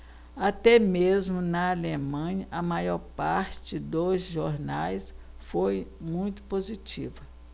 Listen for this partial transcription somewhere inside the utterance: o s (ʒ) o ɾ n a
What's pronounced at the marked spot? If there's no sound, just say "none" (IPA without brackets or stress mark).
ʒ